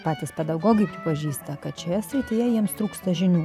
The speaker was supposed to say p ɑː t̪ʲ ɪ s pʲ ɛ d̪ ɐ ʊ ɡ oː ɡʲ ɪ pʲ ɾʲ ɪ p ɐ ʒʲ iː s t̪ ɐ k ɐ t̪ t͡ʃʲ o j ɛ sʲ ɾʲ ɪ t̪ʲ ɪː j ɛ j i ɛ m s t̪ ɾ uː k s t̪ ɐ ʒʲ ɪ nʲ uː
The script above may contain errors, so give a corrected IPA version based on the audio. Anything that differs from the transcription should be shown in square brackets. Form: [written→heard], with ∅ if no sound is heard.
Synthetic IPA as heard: p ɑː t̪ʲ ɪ s pʲ ɛ d̪ ɐ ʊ ɡ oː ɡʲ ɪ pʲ ɾʲ ɪ p ɐ ʒʲ iː s t̪ ɐ k ɐ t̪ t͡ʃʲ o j ɛ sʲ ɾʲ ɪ t̪ʲ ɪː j ɛ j i ɛ m s t̪ ɾ uː k s t̪ ɐ ʒʲ ɪ nʲ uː